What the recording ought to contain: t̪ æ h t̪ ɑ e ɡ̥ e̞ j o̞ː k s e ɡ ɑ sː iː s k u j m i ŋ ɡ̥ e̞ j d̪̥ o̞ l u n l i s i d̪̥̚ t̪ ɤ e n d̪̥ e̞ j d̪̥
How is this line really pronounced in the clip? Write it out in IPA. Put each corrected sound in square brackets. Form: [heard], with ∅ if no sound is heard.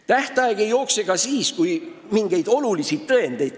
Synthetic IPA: t̪ æ h t̪ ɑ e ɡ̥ e̞ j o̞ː k s e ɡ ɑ [s] iː s k u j m i ŋ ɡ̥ e̞ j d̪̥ o̞ l u [∅] l i s i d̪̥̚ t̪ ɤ e n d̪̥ e̞ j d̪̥